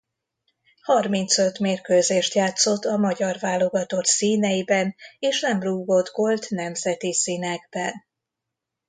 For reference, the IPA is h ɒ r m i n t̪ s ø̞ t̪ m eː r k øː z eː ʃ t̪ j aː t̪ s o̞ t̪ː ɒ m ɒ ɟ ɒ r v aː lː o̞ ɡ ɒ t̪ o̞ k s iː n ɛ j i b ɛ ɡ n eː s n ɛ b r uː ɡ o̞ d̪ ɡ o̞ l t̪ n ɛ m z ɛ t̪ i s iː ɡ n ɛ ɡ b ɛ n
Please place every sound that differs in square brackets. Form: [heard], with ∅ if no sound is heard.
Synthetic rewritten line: h ɒ r m i n t̪ s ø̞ t̪ m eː r k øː z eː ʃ t̪ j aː t̪ s o̞ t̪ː ɒ m ɒ ɟ ɒ r v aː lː o̞ ɡ ɒ t̪ o̞ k s iː n ɛ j i b ɛ [∅] n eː [ʃ] n ɛ [m] r uː ɡ o̞ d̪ ɡ o̞ l t̪ n ɛ m z ɛ t̪ i s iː [∅] n ɛ ɡ b ɛ n

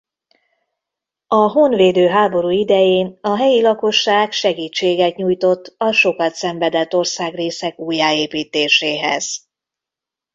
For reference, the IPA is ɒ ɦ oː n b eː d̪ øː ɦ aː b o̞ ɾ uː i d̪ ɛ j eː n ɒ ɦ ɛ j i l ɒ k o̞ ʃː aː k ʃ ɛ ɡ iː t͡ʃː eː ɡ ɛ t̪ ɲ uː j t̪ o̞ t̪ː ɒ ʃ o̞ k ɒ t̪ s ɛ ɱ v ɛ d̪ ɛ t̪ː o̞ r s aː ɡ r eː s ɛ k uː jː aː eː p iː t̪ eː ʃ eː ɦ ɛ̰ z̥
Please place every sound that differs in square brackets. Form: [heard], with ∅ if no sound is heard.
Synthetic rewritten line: ɒ ɦ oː n [v] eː d̪ øː ɦ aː b o̞ ɾ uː i d̪ ɛ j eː n ɒ ɦ ɛ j i l ɒ k o̞ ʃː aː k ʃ ɛ ɡ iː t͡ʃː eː ɡ ɛ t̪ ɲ uː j t̪ o̞ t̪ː ɒ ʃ o̞ k ɒ t̪ s ɛ ɱ v ɛ d̪ ɛ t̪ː o̞ r s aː ɡ r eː s ɛ k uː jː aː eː p iː t̪ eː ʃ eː ɦ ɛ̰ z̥

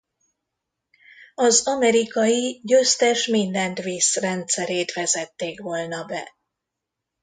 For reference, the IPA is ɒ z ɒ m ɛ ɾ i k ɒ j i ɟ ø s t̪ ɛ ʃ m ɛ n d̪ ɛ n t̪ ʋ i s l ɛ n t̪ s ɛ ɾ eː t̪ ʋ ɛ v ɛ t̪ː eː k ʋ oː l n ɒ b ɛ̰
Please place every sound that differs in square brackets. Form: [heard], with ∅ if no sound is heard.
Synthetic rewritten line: ɒ z ɒ m ɛ ɾ i k ɒ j i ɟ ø s t̪ ɛ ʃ m [i] n d̪ ɛ n t̪ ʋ i s [r] ɛ n t̪ s ɛ ɾ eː t̪ ʋ ɛ [z] ɛ t̪ː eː k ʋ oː l n ɒ b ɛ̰

